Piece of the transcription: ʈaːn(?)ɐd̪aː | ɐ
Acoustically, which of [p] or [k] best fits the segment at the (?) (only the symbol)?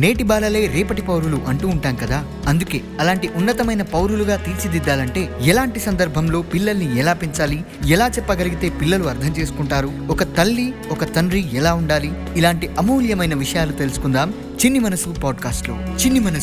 k